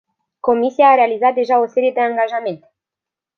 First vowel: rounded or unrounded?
rounded